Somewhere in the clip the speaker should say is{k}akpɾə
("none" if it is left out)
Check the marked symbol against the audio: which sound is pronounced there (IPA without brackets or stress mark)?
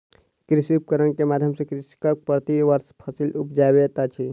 k